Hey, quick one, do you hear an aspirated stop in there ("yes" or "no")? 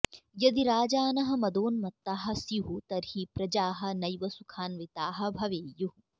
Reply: yes